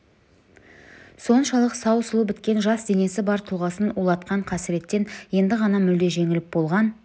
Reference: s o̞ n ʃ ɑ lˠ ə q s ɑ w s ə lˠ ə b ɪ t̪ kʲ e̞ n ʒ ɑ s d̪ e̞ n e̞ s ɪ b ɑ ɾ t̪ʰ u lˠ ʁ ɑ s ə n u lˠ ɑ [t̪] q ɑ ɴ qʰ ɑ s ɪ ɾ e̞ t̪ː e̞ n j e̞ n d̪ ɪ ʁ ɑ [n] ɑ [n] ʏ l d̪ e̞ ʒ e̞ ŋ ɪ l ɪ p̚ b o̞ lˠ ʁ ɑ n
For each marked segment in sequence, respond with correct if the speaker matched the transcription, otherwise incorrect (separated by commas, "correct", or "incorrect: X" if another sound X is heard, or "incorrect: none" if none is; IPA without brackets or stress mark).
correct, correct, incorrect: m